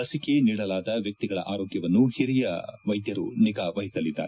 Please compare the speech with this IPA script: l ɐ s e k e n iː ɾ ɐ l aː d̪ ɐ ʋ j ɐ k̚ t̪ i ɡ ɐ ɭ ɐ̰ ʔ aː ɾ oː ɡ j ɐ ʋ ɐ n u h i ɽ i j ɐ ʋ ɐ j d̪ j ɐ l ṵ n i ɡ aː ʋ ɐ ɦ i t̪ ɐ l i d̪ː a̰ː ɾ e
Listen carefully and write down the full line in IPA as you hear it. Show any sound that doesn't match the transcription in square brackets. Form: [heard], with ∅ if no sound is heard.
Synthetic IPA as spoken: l ɐ s [i] k e n iː [ɽ] ɐ l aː d̪ ɐ ʋ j ɐ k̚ t̪ i ɡ ɐ ɭ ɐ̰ ʔ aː ɾ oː ɡ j ɐ ʋ ɐ [nː] u h i [ɾ] i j ɐ ʋ ɐ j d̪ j ɐ [ɾ] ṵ n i ɡ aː ʋ ɐ ɦ i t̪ ɐ l i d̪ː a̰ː ɾ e